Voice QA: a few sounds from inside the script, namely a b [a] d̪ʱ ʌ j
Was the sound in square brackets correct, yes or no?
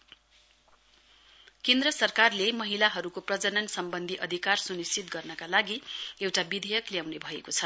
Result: no